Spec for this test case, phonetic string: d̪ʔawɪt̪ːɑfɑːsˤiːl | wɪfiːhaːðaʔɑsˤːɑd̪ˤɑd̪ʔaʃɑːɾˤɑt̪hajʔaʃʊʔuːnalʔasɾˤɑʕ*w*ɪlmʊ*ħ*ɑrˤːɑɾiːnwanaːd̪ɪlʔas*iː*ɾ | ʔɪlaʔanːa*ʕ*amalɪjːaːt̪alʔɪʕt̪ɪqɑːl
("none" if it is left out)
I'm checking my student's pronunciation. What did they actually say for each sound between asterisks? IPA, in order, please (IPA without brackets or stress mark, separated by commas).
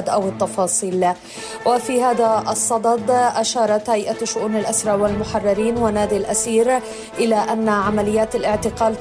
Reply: w, ħ, iː, ʕ